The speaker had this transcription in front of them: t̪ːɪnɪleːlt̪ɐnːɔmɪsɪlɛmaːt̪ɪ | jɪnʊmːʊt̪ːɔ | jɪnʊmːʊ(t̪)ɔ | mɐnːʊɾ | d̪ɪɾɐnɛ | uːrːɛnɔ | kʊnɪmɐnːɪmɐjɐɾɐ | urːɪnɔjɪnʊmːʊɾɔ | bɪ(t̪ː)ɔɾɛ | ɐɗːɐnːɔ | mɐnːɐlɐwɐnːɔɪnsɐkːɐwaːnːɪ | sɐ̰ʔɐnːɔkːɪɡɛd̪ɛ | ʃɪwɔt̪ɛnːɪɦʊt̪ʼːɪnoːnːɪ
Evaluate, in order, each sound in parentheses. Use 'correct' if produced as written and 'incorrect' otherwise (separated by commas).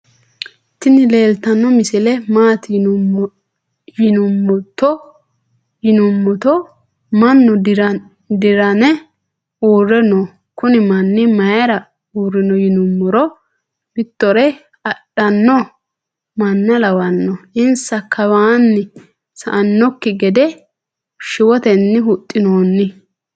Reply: correct, correct